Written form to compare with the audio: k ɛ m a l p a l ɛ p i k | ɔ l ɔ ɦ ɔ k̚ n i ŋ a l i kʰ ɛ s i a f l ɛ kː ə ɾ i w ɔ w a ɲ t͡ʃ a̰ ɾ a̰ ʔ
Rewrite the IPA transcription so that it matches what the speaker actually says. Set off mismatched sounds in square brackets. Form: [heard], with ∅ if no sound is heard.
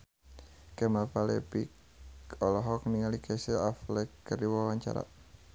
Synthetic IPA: k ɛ m a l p a l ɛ p i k | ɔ l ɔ ɦ ɔ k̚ n i ŋ a l i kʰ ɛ s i a f l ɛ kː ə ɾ i w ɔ w a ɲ t͡ʃ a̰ ɾ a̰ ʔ